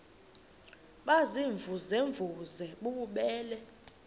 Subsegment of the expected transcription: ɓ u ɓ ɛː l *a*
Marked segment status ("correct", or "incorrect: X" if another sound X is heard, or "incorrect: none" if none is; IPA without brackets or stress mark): incorrect: ɛ